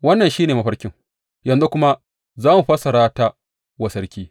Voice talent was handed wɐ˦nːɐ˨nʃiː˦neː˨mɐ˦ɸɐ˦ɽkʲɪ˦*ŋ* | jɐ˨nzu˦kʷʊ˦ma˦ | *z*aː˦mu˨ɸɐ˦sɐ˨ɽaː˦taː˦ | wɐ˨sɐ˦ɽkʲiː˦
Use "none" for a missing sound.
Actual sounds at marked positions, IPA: ŋ, z

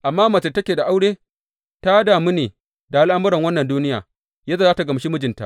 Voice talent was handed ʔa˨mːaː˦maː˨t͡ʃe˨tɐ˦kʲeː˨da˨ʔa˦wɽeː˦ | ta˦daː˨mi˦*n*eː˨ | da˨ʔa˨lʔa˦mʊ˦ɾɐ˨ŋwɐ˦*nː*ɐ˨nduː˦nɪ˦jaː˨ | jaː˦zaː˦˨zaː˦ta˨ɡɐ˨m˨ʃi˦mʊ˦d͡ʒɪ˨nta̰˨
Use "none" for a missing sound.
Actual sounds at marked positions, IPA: n, nː

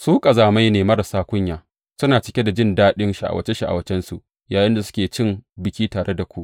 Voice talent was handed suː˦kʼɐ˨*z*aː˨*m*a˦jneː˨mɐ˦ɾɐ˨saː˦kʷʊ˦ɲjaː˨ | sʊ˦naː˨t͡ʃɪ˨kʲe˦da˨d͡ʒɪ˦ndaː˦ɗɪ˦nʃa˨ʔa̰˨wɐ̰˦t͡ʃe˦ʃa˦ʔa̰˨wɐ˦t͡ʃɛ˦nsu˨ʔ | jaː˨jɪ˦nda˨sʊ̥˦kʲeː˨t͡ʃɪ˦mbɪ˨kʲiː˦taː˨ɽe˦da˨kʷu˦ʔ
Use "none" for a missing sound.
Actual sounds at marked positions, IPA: z, m

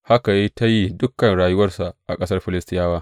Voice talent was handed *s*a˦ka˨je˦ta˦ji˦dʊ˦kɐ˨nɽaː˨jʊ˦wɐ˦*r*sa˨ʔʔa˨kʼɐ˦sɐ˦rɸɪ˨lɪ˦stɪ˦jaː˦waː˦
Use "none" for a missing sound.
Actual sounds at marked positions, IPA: h, r

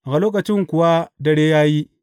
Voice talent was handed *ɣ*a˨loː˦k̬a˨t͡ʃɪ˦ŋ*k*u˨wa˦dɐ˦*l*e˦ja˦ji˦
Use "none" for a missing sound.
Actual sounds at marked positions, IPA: ɣ, k, ɽ

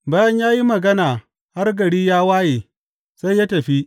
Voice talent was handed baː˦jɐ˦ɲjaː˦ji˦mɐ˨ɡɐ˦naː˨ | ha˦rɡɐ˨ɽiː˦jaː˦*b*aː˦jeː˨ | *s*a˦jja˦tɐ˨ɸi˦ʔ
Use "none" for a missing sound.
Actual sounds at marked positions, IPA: w, s

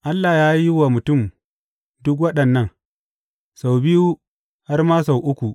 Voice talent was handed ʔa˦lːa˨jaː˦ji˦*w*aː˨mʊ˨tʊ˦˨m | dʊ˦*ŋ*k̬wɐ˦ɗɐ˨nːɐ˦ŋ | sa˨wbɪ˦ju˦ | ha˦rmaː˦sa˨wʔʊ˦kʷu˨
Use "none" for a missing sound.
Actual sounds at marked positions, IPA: w, none

